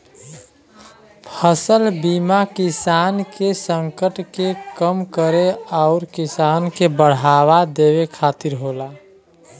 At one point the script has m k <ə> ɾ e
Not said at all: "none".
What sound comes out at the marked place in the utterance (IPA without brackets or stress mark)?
ə